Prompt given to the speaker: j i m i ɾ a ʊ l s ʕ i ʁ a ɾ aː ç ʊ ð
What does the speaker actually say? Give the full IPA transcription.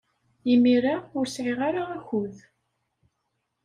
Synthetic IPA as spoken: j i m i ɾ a ʊ ɾ s ʕ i ʁ a ɾ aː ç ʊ ð

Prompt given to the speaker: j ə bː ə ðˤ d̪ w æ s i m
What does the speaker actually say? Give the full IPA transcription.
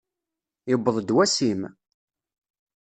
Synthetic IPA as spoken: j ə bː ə ðˤ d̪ w æ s i m

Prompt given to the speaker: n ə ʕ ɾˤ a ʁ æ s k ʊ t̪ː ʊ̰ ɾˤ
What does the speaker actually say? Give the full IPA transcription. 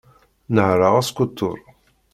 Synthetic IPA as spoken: n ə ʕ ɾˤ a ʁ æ s k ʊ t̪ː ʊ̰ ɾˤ

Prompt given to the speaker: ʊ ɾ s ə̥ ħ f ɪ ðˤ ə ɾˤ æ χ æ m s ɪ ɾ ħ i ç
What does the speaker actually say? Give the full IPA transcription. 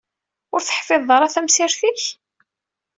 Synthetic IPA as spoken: ʊ ɾ θ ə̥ ħ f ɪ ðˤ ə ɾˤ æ θ æ m s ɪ ɾ θ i ç

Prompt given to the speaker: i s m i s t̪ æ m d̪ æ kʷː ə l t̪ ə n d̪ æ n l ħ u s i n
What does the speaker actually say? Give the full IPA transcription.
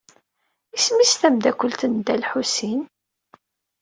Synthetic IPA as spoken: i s m i s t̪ æ m d̪ æ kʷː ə l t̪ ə n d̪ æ l ħ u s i n

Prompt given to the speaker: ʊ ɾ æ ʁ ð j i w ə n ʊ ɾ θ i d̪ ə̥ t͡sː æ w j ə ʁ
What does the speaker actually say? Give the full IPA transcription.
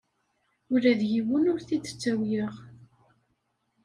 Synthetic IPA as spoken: ʊ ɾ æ ð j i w ə n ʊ ɾ θ i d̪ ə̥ t͡sː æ w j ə ʁ

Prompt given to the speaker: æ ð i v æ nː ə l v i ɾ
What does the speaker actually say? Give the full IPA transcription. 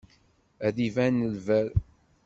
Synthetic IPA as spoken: æ ð i v æ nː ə l v æ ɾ

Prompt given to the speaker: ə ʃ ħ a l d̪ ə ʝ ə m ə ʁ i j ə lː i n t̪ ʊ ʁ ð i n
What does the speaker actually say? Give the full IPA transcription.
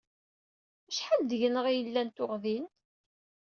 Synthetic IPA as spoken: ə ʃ ħ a l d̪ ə ʝ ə n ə ʁ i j ə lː æ n t̪ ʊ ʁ ð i n

